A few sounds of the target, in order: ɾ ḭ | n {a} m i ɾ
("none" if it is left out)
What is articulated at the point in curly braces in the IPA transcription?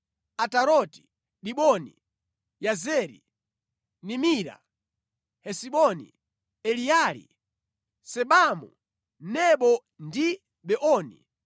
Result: i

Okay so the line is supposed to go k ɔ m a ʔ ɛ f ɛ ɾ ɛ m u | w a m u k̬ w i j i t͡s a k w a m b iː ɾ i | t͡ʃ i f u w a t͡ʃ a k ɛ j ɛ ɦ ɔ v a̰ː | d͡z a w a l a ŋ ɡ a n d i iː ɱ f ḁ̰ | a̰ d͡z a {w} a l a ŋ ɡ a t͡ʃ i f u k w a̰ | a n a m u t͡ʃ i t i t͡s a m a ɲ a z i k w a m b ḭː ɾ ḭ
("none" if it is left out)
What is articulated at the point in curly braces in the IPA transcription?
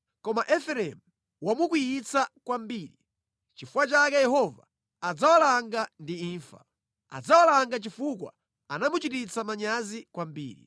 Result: w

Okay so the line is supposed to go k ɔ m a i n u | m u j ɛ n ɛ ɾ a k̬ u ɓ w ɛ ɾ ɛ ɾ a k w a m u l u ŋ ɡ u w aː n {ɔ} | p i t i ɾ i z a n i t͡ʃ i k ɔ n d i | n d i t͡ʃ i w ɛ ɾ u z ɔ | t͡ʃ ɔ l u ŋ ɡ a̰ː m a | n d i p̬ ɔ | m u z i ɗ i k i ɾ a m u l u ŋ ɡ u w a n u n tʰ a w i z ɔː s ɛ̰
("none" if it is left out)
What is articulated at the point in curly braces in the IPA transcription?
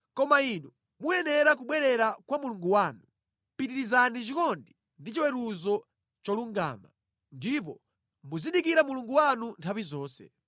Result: u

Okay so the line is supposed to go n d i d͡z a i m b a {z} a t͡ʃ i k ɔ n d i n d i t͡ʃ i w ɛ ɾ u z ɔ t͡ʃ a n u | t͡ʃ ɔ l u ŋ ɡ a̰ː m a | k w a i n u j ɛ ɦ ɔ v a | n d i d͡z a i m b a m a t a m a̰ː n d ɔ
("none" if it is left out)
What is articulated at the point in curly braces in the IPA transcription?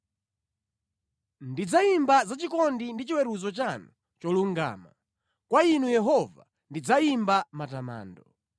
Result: z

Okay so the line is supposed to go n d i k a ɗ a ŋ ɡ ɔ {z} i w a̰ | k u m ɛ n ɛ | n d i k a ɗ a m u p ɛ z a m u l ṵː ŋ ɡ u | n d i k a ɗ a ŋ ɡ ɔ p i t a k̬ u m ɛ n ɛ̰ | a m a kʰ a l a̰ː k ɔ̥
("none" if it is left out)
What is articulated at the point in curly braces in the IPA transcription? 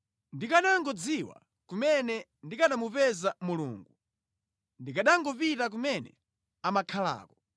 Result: d͡z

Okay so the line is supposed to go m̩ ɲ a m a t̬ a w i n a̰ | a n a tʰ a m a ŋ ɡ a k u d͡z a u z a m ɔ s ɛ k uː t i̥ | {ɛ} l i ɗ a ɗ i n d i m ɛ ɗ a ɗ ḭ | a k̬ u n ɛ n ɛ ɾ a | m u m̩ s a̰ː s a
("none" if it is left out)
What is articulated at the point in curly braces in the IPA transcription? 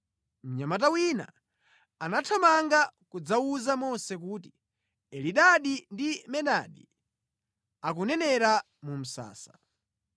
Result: ɛ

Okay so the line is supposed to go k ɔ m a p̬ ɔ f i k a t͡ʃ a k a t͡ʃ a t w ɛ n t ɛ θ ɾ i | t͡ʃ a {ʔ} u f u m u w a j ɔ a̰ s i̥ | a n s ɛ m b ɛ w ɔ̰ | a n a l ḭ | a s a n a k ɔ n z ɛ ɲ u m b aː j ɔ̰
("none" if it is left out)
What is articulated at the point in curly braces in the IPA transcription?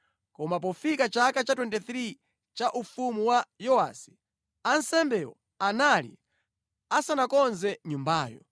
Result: ʔ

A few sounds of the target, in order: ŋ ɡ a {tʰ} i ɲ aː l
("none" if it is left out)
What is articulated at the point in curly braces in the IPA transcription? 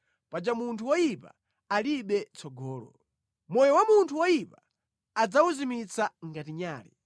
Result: t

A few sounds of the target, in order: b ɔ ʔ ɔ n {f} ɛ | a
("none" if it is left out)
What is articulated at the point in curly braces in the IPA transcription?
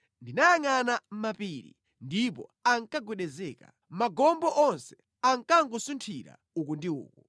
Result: s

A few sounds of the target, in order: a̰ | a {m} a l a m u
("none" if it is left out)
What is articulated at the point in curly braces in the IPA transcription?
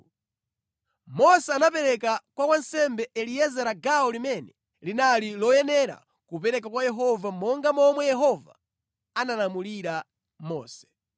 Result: n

